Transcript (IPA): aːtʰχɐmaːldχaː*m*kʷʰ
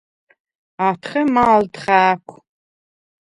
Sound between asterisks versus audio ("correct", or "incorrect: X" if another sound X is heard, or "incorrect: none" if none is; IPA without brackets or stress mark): incorrect: none